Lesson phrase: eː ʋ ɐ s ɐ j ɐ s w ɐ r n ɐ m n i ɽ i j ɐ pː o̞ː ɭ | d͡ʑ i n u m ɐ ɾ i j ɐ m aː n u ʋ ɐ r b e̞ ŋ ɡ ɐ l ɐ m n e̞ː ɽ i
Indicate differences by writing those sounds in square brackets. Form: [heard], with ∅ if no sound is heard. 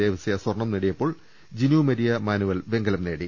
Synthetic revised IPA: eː ʋ ɐ s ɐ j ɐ s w ɐ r [ɳ] ɐ m n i ɽ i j ɐ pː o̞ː ɭ | d͡ʑ i n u m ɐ ɾ i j ɐ m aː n u ʋ ɐ [l] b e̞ ŋ ɡ ɐ l ɐ m n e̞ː ɽ i